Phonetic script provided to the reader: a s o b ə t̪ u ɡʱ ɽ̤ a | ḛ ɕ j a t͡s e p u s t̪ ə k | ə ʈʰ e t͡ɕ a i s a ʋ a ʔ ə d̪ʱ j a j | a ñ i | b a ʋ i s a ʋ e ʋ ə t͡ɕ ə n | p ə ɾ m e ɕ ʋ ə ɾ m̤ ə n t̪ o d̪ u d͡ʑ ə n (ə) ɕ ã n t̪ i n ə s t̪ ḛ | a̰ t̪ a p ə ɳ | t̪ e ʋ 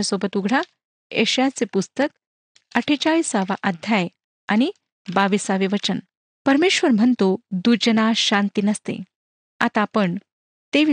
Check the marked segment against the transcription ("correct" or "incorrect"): incorrect